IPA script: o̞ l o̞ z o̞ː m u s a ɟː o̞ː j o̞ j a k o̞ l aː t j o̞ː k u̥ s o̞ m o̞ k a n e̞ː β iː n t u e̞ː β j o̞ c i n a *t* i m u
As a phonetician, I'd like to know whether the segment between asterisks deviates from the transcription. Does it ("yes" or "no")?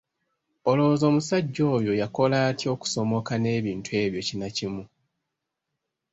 yes